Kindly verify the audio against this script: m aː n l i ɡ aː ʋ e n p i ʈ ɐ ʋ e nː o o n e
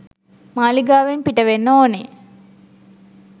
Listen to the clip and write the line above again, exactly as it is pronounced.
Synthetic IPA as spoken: m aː l i ɡ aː ʋ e n p i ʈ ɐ ʋ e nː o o n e